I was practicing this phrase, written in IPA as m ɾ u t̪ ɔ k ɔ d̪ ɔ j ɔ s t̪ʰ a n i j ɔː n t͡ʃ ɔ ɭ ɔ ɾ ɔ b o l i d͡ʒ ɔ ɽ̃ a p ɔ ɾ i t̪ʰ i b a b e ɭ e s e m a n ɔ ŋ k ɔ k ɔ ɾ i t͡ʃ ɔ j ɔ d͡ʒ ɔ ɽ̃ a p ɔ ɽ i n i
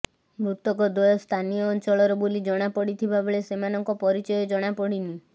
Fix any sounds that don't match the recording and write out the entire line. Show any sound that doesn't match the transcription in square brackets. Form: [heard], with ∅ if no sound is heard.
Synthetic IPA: m ɾ u t̪ ɔ k ɔ d̪ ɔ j ɔ s t̪ʰ a n i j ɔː n t͡ʃ ɔ ɭ ɔ ɾ ɔ b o l i d͡ʒ ɔ ɽ̃ a p ɔ [ɽ] i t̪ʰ i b a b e ɭ e s e m a n ɔ ŋ k ɔ [p] ɔ ɾ i t͡ʃ ɔ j ɔ d͡ʒ ɔ ɽ̃ a p ɔ ɽ i n i